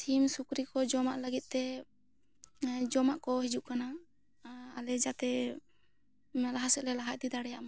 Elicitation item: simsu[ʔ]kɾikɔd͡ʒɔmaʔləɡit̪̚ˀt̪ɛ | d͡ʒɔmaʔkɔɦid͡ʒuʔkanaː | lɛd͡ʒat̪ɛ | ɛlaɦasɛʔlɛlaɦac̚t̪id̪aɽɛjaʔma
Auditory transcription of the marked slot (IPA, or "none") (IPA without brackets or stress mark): none